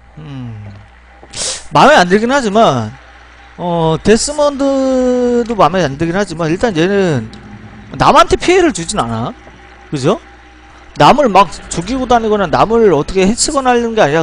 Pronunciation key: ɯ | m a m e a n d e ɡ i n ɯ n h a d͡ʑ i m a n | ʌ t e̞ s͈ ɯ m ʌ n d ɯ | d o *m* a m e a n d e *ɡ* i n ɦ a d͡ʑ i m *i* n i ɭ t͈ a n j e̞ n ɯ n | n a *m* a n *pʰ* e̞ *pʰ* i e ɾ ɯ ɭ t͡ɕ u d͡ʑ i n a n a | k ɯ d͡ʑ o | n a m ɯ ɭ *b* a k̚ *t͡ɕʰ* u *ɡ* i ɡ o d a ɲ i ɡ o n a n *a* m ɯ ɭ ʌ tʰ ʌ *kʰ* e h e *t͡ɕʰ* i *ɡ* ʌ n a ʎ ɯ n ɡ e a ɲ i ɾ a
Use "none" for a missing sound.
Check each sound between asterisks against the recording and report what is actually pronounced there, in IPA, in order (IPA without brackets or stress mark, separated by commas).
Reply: m, ɡ, a, m, tʰ, pʰ, m, t͡ɕ, ɡ, a, kʰ, t͡ɕʰ, ɡ